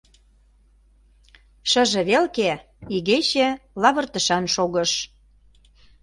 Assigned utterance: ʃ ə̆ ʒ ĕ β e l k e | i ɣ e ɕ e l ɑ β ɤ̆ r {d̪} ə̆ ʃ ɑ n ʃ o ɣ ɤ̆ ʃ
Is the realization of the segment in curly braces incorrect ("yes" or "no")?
yes